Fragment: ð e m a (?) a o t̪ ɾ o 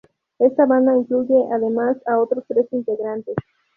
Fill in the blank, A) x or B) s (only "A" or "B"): B